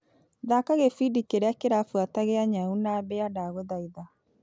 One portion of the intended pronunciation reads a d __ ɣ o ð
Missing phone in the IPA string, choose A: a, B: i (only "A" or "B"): A